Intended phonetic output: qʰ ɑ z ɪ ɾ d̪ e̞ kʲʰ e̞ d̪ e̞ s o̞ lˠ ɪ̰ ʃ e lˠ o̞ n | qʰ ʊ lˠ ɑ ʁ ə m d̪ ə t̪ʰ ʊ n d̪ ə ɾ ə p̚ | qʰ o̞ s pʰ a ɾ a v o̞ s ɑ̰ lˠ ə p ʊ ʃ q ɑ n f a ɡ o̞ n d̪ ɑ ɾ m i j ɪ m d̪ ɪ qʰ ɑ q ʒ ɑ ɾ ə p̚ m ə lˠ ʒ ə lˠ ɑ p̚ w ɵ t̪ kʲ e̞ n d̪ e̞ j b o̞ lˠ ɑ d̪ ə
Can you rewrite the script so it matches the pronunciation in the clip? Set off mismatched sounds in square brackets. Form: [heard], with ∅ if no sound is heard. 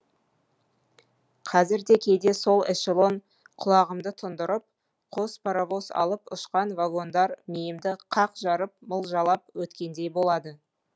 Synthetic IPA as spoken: qʰ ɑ z ɪ ɾ d̪ e̞ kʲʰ e̞ d̪ e̞ s o̞ lˠ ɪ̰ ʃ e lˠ o̞ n | qʰ ʊ lˠ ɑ ʁ ə m d̪ ə t̪ʰ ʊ n d̪ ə ɾ ə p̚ | qʰ o̞ s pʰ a ɾ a v o̞ s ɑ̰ lˠ ə p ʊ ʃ q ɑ n [v] a ɡ o̞ n d̪ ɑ ɾ m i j ɪ m d̪ ɪ qʰ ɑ q ʒ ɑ ɾ ə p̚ m ə lˠ ʒ [ɑ] lˠ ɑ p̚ w ɵ t̪ kʲ e̞ n d̪ e̞ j b o̞ lˠ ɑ d̪ ə